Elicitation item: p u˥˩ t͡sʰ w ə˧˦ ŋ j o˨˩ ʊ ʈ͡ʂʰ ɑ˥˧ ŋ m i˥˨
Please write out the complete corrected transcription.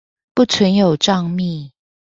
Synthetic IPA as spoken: p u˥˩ t͡sʰ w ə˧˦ n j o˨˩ ʊ ʈ͡ʂ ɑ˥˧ ŋ m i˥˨